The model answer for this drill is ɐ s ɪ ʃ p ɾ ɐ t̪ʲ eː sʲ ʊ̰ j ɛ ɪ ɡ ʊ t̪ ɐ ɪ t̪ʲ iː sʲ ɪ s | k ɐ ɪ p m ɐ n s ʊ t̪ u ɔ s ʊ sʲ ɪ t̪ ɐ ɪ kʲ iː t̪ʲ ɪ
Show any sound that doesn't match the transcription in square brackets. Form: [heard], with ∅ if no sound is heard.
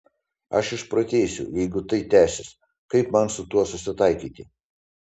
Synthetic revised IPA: ɐ [ʃ] ɪ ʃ p ɾ ɐ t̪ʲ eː sʲ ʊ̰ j ɛ ɪ ɡ ʊ t̪ ɐ ɪ t̪ʲ [æː] sʲ ɪ s | k ɐ ɪ p m ɐ n s ʊ t̪ u ɔ s ʊ sʲ ɪ t̪ ɐ ɪ kʲ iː t̪ʲ ɪ